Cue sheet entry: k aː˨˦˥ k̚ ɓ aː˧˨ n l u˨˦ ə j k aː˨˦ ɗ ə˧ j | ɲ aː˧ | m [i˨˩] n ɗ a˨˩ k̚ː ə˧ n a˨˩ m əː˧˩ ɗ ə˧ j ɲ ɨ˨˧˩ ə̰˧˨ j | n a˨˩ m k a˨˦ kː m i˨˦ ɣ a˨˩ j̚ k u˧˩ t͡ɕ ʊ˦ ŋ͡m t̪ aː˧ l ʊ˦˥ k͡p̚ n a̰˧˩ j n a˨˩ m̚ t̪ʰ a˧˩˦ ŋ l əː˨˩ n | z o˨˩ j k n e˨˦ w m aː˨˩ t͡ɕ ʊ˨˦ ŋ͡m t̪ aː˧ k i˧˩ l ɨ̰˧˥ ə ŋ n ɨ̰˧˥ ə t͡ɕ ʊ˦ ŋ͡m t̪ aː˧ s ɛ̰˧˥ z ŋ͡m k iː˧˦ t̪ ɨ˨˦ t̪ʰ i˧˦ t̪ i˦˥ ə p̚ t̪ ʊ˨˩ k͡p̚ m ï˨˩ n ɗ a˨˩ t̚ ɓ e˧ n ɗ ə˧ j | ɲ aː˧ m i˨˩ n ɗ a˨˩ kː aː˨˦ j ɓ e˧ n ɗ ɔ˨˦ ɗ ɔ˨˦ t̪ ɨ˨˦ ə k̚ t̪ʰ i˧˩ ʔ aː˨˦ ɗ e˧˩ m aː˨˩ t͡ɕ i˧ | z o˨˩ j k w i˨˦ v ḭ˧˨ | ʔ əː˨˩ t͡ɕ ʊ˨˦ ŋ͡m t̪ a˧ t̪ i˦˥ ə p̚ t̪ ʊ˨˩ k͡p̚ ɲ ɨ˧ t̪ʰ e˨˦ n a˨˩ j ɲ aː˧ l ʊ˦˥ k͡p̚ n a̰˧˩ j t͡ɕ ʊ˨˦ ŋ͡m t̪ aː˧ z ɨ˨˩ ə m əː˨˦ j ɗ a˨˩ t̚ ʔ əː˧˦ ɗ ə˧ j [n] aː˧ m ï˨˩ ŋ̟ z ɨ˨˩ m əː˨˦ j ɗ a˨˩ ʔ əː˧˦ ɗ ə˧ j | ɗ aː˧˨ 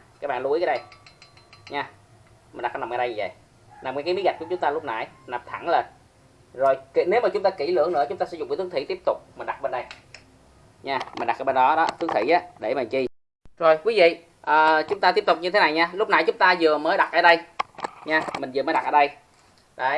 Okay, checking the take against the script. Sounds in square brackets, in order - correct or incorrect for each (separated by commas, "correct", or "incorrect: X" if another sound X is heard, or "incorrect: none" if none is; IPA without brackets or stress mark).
correct, incorrect: ɲ